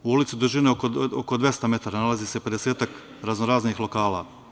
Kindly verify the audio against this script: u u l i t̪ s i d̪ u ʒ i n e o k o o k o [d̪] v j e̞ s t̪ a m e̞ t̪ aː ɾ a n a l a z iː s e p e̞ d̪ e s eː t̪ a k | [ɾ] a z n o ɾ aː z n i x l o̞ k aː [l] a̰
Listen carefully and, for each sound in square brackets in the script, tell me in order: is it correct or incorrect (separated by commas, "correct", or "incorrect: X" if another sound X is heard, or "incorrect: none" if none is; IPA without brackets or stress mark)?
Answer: correct, correct, correct